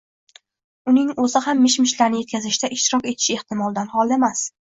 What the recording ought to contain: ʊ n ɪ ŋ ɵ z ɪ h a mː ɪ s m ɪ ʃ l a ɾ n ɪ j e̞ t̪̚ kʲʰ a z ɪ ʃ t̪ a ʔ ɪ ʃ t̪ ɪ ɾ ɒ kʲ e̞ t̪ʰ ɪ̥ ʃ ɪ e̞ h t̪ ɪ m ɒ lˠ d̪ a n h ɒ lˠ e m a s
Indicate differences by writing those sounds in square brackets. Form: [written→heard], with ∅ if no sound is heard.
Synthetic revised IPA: ʊ n ɪ ŋ ɵ z ɪ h a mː ɪ [s→ʃ] m ɪ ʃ l a ɾ n ɪ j e̞ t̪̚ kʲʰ a z ɪ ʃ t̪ a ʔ ɪ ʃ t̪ ɪ ɾ ɒ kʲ e̞ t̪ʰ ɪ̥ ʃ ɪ e̞ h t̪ ɪ m ɒ lˠ d̪ a n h ɒ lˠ e m a s